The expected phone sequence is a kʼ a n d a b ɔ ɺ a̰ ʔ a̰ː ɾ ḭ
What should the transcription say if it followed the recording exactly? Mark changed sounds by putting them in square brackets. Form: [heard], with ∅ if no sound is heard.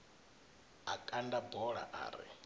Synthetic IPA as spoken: a kʼ a n d a b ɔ ɺ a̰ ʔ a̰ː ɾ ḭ

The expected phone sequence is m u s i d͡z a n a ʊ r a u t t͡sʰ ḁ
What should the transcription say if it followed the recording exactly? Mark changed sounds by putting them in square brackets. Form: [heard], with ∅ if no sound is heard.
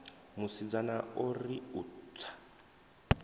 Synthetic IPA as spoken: m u s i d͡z a n a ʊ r [i] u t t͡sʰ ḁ

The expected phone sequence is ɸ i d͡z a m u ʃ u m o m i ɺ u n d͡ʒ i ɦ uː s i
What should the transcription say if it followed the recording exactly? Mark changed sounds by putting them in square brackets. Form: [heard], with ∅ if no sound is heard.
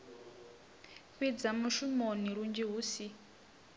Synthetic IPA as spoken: ɸ i d͡z a m u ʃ u m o [n] i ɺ u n d͡ʒ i ɦ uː s i

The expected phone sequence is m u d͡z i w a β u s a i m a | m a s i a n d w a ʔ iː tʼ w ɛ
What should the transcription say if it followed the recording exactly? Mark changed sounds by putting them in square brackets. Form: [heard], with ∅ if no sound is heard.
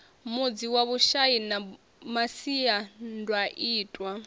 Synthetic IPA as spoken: m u d͡z i w a β u [ʃ] a i [n] a | m a s i a n d w a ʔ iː tʼ w [a]

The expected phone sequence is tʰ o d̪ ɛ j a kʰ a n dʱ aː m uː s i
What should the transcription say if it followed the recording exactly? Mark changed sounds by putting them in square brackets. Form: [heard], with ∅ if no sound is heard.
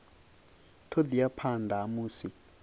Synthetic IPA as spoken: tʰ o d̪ [i] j a [pʰ] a n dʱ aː m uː s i

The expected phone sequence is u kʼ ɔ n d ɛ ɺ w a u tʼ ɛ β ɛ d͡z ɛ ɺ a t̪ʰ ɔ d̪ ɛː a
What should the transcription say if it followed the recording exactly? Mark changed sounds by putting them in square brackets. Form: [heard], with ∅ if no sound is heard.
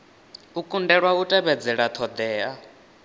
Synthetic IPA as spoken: u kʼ [u] n d ɛ ɺ w a u tʼ ɛ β ɛ d͡z ɛ ɺ a t̪ʰ ɔ d̪ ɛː a

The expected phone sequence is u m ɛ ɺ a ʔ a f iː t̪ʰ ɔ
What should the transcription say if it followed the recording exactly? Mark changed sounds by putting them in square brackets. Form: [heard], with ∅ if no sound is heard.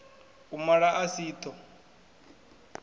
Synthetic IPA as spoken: u m [a] ɺ a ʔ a [s] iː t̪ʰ ɔ

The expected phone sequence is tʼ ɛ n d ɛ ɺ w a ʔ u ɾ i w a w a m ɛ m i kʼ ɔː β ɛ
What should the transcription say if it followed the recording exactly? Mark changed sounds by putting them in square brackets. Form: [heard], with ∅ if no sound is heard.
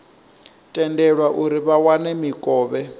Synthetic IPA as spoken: tʼ ɛ n d ɛ ɺ w a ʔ u ɾ i [β] a w a [n] ɛ m i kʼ ɔː β ɛ

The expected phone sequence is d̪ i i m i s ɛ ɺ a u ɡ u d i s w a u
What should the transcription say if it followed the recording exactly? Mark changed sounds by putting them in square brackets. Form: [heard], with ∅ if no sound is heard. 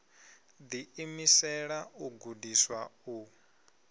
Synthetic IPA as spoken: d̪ i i m i s ɛ ɺ a u ɡ u d i s w a u

